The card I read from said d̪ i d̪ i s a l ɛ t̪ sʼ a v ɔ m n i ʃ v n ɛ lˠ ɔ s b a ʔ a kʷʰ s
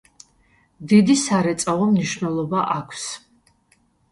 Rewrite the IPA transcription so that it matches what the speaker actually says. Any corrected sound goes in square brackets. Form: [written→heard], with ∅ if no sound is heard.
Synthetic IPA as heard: d̪ i d̪ i s a [l→ɾ] ɛ t̪ sʼ a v ɔ m n i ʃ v n ɛ lˠ ɔ [s→∅] b a ʔ a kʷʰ s